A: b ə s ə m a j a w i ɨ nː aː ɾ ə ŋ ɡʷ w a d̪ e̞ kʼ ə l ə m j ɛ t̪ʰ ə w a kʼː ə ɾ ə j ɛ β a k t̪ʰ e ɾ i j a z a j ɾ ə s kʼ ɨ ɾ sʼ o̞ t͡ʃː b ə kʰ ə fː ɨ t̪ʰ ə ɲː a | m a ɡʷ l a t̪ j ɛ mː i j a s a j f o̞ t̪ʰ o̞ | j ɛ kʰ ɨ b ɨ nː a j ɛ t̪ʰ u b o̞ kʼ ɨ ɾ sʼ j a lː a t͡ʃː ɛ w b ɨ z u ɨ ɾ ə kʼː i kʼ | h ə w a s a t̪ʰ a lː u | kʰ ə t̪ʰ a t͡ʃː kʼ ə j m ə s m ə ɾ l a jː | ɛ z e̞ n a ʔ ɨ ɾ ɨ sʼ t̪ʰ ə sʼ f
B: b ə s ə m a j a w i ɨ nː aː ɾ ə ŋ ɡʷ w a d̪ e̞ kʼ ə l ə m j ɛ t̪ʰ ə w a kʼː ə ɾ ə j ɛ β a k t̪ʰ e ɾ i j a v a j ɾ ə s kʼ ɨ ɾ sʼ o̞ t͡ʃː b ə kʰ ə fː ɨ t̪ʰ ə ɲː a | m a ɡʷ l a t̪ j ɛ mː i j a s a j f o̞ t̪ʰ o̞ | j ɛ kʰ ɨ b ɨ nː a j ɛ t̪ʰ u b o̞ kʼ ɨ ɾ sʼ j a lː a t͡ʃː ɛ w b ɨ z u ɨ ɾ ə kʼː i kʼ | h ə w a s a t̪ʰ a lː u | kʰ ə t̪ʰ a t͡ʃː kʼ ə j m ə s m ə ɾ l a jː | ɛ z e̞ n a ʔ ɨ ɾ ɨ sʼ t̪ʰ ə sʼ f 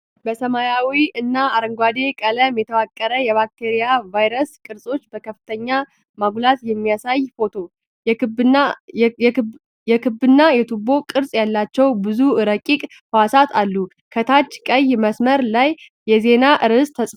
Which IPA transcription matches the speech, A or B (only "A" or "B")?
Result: B